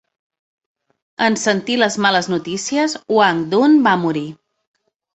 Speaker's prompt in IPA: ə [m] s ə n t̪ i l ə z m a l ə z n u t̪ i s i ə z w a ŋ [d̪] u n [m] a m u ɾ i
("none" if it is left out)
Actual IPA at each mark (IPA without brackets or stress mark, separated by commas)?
n, d̪, b